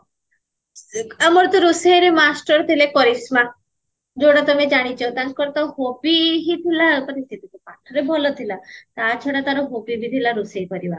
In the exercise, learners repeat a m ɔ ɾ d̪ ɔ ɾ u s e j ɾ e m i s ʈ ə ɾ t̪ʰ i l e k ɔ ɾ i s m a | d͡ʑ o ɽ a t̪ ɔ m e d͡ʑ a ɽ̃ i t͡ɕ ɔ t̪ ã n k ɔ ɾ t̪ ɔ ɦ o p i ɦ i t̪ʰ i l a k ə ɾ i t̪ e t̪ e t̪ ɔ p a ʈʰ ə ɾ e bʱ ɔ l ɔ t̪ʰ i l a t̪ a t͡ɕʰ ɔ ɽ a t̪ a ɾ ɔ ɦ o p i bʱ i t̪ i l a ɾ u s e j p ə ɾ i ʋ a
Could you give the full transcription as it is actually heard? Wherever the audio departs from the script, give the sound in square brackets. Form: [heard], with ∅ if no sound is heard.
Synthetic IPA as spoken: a m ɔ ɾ [t̪] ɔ ɾ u s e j ɾ e m [a] s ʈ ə ɾ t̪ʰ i l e k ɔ ɾ i s m a | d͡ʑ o ɽ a t̪ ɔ m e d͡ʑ a ɽ̃ i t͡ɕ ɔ t̪ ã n k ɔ ɾ t̪ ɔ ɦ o p i ɦ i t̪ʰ i l a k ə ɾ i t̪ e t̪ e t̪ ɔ p a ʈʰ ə ɾ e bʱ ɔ l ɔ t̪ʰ i l a t̪ a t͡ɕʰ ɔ ɽ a t̪ a ɾ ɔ ɦ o p i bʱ i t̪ i l a ɾ u s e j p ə ɾ i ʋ a